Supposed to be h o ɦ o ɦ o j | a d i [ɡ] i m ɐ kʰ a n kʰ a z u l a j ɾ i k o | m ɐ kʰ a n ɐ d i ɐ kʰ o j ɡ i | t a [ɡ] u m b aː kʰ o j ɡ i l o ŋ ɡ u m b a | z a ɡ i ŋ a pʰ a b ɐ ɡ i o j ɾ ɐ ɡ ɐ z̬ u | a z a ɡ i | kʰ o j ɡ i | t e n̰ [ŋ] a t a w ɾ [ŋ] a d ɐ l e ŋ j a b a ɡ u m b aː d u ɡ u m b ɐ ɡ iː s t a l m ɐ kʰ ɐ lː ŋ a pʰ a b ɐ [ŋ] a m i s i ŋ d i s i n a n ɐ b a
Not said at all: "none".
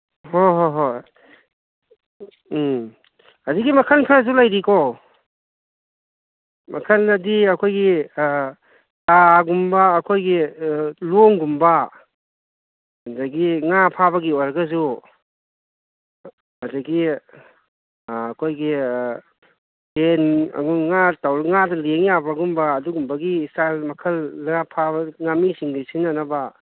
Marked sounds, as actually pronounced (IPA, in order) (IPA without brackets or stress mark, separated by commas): ɡ, ɡ, ŋ, ŋ, ŋ